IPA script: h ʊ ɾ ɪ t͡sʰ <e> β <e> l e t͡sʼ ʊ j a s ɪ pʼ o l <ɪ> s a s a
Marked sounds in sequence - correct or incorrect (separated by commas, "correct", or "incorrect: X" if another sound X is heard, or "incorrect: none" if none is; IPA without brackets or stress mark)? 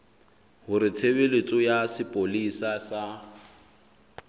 correct, correct, incorrect: i